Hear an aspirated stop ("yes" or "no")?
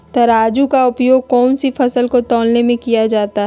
no